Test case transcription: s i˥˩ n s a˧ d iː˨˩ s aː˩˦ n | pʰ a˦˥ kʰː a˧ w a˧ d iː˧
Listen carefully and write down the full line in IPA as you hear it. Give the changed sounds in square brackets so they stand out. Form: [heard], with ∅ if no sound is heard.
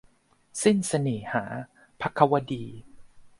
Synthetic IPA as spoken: s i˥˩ n s a˧ [n] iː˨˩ [h] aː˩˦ [∅] | pʰ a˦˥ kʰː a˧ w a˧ d iː˧